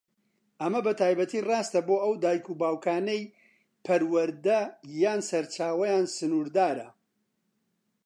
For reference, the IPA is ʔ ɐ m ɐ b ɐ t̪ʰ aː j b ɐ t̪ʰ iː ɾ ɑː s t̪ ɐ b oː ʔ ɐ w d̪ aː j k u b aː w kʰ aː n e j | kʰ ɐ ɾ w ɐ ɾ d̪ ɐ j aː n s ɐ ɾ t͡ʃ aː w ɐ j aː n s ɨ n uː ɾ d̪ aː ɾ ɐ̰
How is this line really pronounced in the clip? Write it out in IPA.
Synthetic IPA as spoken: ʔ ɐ m ɐ b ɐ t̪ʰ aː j b ɐ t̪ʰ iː r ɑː s t̪ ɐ b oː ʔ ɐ w d̪ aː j k u b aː w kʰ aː n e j | pʰ ɐ ɾ w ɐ ɾ d̪ ɐ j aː n s ɐ ɾ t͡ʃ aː w ɐ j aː n s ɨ n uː ɾ d̪ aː ɾ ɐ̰